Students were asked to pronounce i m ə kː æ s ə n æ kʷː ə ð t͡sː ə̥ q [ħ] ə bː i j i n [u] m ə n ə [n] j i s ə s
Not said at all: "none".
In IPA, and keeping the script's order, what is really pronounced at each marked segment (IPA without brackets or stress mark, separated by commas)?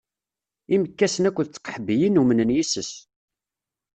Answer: ħ, u, n